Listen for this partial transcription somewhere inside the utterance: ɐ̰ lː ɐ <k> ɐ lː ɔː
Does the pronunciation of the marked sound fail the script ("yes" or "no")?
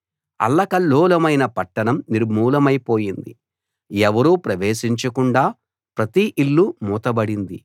no